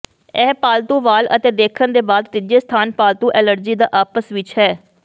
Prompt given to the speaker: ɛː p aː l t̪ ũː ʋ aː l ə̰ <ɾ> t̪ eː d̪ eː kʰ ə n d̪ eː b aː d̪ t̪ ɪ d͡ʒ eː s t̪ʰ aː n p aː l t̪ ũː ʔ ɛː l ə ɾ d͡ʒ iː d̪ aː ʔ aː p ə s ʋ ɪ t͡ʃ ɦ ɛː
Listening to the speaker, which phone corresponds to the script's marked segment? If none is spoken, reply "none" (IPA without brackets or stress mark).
none